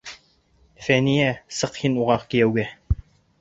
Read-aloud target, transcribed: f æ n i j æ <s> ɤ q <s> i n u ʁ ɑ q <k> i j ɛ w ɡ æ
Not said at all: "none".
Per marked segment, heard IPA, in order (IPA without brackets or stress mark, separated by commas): s, h, k